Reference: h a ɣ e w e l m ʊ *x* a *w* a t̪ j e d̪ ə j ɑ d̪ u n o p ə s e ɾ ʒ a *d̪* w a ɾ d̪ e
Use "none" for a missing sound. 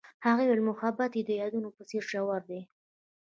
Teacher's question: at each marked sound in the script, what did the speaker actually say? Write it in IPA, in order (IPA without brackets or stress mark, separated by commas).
x, b, none